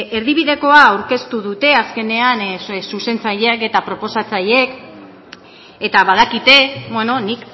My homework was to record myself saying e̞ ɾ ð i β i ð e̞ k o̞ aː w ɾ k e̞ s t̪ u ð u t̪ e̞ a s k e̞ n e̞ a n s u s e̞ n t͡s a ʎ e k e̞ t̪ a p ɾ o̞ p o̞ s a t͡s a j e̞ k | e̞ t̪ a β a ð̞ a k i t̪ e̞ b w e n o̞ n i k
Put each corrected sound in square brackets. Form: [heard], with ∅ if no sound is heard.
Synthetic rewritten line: e̞ ɾ ð i β i ð e̞ k o̞ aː w ɾ k e̞ s t̪ u ð u t̪ e̞ a s k e̞ n e̞ a n s u s e̞ n t͡s a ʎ e k e̞ t̪ a p ɾ o̞ p o̞ s a t͡s a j e̞ k | e̞ t̪ a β a ð̞ a k i t̪ e̞ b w e n o̞ n i k